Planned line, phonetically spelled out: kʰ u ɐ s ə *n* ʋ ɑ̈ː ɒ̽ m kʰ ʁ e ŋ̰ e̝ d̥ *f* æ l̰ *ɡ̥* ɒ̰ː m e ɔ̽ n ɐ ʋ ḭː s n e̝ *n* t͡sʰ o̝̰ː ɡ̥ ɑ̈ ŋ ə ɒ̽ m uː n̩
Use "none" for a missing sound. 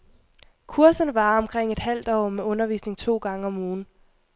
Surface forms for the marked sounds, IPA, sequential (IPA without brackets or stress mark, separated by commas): n, h, d̥, ŋ